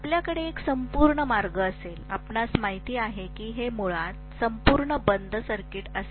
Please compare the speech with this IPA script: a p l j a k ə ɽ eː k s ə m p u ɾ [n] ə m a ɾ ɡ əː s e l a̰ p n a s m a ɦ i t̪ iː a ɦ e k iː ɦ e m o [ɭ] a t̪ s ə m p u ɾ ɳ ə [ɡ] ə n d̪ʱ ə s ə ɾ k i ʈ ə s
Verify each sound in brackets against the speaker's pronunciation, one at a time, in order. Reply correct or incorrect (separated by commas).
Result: incorrect, correct, incorrect